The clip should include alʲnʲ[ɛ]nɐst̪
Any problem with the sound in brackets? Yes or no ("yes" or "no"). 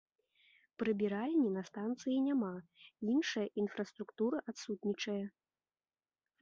yes